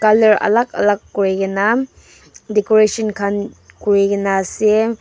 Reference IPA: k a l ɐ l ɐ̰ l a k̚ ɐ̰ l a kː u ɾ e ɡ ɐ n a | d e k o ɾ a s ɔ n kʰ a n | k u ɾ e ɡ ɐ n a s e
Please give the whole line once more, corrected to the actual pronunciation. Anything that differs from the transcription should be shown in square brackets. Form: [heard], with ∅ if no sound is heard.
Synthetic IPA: k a l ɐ [ɾ] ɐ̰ l a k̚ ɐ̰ l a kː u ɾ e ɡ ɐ n a | d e k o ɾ [e] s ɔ n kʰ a n | k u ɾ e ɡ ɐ n a s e

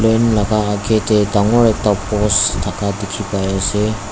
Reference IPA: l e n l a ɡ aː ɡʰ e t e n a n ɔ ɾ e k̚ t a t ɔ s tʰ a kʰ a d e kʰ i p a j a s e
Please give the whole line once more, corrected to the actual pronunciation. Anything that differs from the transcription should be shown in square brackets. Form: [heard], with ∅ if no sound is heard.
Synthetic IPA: l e n l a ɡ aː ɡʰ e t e [d] a [ŋ] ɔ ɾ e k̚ t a [p] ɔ s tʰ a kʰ a d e kʰ i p a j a s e

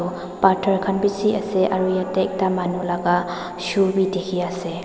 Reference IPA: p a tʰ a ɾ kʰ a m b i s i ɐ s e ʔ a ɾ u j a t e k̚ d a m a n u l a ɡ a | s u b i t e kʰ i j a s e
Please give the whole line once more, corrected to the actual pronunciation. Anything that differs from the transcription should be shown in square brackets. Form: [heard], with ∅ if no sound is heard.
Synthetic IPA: p a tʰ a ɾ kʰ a [n] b i s i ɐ s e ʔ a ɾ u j a t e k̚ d a m a n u l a ɡ a | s u b i [d] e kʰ i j a s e

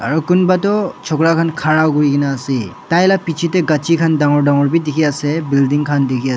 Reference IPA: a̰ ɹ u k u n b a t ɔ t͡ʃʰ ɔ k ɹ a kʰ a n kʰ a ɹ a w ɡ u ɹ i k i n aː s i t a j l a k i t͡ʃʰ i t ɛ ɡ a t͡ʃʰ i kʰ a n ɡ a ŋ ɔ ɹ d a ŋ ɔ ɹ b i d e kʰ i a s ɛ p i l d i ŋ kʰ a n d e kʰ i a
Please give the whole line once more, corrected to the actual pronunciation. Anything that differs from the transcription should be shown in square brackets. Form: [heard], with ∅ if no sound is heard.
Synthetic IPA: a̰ ɹ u k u n b a t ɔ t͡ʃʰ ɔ k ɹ a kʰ a n kʰ a ɹ a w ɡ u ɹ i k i n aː s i t a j l a [p] i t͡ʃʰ i t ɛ ɡ a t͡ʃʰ i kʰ a n [d] a ŋ ɔ ɹ d a ŋ ɔ ɹ b i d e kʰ i a s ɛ [b] i l d i ŋ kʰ a n d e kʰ i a

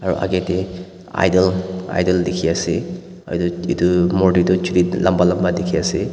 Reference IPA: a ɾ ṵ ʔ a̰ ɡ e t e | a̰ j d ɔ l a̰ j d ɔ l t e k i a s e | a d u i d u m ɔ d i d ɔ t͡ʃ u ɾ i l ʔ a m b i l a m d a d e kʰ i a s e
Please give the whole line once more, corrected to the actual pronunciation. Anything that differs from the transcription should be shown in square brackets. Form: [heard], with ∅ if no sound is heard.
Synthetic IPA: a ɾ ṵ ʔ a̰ ɡ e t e | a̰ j d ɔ l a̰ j d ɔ l [d] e [kʰ] i a s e | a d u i d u m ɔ d i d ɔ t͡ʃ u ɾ i l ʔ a m b [a] l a m [b] a d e kʰ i a s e

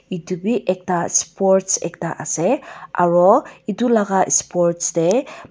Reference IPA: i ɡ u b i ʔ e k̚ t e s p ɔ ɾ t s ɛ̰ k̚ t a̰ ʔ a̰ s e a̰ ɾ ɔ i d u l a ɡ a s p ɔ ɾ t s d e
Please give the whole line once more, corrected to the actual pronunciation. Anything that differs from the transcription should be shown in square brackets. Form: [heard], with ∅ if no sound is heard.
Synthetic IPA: i [d] u b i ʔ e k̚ t [a] s p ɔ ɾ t s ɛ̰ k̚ t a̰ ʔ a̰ s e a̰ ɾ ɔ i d u l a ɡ a s p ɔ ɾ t s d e

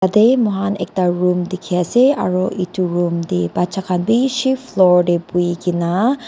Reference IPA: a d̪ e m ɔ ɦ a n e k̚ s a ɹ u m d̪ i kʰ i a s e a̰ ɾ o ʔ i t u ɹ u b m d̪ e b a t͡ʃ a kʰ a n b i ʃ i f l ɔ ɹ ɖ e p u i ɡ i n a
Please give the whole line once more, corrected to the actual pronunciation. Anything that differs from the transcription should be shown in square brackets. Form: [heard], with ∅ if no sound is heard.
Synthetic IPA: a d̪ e m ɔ ɦ a n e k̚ [t] a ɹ u m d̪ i kʰ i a s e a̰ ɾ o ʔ i t u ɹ u [∅] m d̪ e b a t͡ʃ a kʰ a n b i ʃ i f l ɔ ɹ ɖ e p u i ɡ i n a

